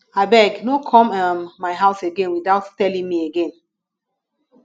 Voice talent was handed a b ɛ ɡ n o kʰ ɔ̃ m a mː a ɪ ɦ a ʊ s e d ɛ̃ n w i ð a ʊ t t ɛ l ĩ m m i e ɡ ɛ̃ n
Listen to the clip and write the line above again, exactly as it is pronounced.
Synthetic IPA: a b ɛ ɡ n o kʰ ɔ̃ m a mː a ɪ ɦ a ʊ s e ɡ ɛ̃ n w i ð a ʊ t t ɛ l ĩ ŋ m i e ɡ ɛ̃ n